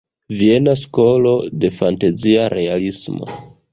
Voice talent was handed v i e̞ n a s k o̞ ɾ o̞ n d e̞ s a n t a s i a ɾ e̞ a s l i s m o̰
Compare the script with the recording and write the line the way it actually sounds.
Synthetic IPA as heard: v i e̞ n a s k o̞ l o̞ d e̞ f a n t a z i a ɾ e̞ a l i s m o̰